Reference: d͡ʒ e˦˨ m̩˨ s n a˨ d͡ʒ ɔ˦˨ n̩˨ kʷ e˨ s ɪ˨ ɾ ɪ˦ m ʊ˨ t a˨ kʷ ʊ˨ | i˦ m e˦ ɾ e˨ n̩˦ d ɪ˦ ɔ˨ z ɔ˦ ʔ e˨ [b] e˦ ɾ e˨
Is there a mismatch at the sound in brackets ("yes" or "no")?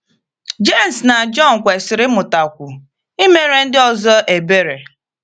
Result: no